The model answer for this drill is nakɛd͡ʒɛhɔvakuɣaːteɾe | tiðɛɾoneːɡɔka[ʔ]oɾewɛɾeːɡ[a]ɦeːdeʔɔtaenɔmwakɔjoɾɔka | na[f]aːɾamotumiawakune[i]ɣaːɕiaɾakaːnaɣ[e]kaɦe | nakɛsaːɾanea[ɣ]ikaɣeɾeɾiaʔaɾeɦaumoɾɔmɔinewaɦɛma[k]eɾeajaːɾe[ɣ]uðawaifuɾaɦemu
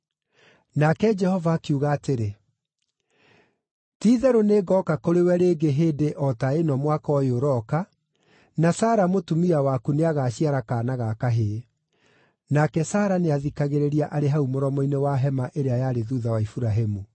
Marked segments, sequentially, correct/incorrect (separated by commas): incorrect, incorrect, incorrect, incorrect, incorrect, incorrect, incorrect, incorrect